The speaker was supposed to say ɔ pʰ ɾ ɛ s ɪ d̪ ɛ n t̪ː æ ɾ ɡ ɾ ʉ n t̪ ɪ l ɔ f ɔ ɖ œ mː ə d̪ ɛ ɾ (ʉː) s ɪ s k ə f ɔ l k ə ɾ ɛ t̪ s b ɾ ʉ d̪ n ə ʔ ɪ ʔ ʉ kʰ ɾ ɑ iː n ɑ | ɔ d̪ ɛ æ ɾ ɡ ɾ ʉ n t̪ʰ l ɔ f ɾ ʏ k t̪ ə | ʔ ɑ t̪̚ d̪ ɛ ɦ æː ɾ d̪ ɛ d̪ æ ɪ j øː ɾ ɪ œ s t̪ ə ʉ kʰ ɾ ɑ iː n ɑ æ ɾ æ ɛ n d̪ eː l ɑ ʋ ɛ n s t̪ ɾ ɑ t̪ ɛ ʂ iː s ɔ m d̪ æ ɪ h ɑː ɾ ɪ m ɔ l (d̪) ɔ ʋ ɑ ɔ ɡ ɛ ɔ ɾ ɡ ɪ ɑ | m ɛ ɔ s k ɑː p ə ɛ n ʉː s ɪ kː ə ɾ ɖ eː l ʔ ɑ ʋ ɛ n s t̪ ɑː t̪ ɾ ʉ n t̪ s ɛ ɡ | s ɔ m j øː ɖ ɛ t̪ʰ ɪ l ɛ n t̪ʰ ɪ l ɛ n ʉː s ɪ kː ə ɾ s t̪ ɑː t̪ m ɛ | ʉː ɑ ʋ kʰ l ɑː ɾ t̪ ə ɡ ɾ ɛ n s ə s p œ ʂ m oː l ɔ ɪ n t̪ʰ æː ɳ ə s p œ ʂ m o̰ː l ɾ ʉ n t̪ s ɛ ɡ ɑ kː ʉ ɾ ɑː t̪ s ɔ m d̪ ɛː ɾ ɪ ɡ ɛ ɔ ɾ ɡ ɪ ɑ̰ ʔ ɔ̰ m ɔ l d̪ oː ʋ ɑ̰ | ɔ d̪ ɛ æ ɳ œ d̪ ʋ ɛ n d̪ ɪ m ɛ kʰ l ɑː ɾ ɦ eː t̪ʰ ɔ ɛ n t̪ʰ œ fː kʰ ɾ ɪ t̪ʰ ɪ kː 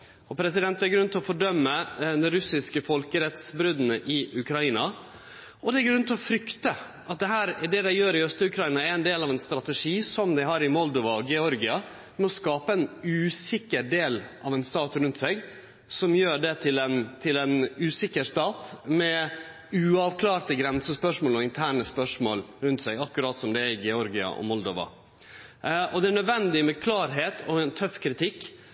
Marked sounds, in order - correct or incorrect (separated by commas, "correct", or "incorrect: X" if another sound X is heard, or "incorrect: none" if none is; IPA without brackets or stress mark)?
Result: incorrect: ʉ, correct